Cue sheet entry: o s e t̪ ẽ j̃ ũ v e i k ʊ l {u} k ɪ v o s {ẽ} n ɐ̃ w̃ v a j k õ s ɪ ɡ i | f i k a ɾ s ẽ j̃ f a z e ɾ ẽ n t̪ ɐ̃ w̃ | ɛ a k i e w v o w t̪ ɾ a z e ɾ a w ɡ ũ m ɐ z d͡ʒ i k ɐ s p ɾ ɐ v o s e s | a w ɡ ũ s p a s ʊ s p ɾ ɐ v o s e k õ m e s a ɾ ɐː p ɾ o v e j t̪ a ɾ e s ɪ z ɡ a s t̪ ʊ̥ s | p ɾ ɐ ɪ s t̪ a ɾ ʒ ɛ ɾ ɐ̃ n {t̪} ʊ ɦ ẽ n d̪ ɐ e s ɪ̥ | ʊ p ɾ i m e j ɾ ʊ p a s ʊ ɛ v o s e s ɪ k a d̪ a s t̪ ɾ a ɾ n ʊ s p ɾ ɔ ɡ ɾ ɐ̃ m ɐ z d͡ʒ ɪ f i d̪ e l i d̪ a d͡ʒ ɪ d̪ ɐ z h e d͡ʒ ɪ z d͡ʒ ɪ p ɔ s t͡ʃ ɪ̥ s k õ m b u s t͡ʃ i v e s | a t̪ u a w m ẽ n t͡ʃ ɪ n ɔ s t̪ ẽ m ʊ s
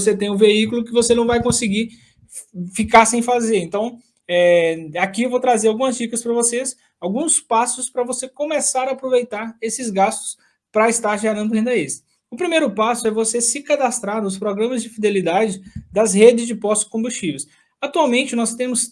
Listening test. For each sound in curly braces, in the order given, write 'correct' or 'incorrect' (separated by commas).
incorrect, incorrect, incorrect